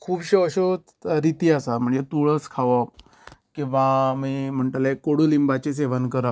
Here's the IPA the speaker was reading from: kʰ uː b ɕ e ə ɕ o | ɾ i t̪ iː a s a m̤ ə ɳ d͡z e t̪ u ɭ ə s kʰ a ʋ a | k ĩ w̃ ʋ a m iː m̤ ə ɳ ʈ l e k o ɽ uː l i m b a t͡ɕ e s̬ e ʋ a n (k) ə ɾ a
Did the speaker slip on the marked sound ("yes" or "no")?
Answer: no